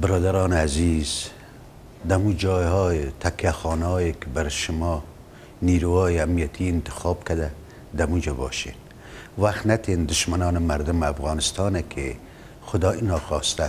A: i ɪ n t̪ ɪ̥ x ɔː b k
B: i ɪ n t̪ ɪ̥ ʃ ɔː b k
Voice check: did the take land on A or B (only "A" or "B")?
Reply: A